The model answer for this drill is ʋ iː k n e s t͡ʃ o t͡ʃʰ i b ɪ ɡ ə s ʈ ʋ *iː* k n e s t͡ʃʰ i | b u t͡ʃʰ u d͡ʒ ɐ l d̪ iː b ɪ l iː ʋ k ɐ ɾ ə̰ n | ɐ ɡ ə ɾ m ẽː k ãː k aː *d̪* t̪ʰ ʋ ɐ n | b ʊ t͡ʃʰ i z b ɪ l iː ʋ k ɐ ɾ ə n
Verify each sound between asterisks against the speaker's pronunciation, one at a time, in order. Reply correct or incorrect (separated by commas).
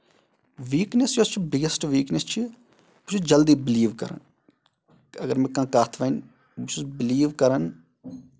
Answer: correct, incorrect